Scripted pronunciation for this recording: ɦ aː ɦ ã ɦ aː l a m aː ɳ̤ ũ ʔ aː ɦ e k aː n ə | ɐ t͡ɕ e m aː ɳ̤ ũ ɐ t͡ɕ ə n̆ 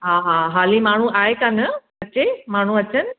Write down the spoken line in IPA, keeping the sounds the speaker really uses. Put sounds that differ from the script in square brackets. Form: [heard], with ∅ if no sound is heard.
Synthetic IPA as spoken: ɦ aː ɦ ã ɦ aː l [i] m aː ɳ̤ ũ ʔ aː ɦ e k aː n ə | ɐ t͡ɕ e m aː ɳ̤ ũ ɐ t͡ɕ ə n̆